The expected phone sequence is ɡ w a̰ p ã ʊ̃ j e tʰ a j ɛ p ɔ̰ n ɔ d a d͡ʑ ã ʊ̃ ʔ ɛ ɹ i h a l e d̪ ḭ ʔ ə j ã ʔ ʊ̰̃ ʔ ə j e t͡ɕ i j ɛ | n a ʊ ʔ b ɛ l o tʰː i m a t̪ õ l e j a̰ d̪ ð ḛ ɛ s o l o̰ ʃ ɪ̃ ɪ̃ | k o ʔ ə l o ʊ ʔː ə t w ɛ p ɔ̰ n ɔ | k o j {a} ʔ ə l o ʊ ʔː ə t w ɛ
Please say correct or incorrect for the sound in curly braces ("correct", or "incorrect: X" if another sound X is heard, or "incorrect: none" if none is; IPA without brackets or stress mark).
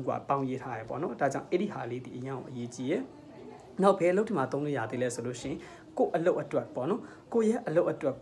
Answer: incorrect: ɛ